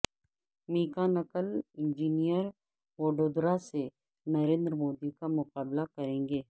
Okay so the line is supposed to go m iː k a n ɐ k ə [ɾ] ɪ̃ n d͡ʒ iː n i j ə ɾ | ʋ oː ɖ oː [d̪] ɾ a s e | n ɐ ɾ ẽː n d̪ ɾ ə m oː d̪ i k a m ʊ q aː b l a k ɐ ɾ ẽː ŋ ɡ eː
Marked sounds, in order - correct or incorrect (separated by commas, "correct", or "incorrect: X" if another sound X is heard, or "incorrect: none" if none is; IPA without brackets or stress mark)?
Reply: incorrect: l, correct